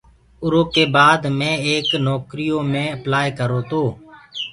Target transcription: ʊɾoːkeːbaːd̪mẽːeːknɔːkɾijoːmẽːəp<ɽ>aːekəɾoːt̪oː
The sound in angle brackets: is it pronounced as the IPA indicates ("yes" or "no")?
no